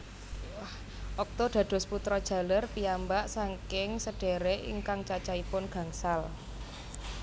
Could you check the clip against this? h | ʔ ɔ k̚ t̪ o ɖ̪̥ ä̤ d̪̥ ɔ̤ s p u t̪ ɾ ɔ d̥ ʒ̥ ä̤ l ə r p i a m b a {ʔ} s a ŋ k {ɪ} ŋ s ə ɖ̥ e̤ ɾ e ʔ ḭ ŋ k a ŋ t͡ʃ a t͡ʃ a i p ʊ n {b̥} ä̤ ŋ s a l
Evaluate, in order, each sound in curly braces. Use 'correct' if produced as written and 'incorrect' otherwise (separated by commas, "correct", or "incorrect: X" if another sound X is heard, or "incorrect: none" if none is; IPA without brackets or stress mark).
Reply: correct, correct, incorrect: ɡ̥